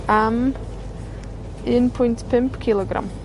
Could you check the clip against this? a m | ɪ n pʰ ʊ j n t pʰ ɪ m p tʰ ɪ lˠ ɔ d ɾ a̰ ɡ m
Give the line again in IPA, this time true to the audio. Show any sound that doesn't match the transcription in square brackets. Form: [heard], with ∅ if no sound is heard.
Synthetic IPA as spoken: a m | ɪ n pʰ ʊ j n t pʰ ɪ m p [kʰ] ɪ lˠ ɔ [ɡ] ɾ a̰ [∅] m